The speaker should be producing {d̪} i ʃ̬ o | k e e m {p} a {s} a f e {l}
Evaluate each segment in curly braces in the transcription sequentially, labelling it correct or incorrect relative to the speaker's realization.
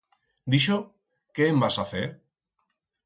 correct, incorrect, correct, incorrect

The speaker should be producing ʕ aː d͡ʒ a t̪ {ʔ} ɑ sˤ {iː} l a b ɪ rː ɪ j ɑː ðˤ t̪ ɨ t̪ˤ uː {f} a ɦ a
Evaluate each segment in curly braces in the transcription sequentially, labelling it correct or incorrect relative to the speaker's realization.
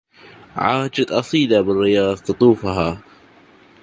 correct, correct, correct

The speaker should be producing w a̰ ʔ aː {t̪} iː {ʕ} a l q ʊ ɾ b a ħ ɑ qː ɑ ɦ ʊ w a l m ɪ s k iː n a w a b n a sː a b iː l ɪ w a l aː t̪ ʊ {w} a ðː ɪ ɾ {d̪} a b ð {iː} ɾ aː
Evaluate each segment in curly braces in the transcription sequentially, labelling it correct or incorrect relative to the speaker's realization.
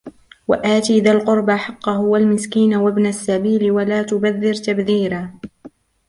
correct, incorrect, incorrect, incorrect, correct

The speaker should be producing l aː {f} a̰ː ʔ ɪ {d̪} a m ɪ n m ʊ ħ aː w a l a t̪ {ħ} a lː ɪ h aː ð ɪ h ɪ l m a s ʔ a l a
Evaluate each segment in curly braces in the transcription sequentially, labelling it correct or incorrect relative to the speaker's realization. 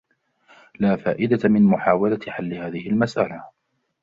correct, correct, correct

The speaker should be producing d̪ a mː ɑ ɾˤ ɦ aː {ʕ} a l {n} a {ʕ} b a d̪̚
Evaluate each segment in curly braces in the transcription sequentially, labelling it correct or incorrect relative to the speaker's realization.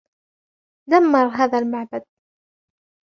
incorrect, incorrect, correct

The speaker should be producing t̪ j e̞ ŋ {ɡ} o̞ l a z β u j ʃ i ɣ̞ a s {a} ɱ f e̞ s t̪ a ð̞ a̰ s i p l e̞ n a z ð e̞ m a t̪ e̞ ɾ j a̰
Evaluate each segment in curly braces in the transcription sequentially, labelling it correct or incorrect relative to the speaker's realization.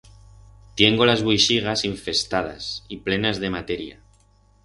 correct, incorrect

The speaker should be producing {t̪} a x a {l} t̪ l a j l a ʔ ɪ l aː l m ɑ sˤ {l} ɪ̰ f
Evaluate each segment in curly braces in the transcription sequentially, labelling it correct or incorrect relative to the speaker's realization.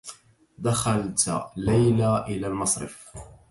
incorrect, correct, incorrect

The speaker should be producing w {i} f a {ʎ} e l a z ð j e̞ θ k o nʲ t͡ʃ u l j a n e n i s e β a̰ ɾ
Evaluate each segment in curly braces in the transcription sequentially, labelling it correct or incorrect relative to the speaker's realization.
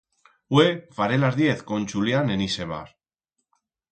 incorrect, incorrect

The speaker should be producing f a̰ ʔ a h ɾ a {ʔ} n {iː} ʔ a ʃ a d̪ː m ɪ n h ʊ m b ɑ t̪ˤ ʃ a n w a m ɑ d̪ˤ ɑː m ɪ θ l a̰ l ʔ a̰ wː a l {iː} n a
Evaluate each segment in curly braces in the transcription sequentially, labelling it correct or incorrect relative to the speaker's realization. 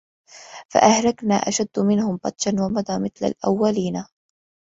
incorrect, incorrect, correct

